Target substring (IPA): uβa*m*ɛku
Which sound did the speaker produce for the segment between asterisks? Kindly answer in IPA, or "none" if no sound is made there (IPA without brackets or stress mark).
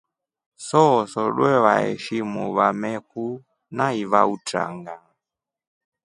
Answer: m